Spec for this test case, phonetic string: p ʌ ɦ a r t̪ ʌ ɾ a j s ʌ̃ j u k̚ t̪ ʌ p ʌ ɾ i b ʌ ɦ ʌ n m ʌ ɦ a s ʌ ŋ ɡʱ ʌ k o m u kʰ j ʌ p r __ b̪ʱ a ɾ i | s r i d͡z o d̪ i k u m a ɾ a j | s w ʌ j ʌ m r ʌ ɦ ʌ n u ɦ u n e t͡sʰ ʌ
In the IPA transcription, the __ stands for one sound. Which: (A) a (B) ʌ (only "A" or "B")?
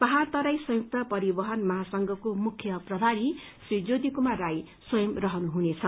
B